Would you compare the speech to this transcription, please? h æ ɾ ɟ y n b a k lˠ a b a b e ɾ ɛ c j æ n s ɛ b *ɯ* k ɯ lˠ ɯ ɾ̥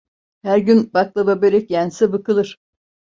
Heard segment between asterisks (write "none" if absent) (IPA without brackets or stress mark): ɯ